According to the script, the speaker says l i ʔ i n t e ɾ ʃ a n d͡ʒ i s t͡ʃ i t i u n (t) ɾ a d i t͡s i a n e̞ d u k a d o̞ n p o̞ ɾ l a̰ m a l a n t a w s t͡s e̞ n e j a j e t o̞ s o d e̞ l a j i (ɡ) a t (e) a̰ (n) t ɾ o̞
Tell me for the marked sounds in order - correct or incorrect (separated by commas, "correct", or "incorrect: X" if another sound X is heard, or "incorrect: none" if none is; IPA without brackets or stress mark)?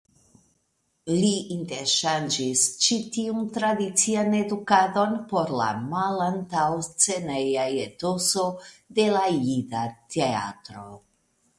correct, incorrect: d, correct, incorrect: none